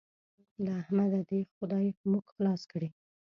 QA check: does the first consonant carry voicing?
yes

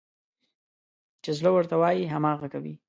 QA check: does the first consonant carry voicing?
no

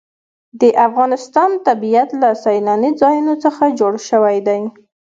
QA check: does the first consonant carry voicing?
yes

